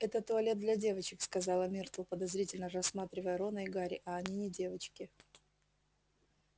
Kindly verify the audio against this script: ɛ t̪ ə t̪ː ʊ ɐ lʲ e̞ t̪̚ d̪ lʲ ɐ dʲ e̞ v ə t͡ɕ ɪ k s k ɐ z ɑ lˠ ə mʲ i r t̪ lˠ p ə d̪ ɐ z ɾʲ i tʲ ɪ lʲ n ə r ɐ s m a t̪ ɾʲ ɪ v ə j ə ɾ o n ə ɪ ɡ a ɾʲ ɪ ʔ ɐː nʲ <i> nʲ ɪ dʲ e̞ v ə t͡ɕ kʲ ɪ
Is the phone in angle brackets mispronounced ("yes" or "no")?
no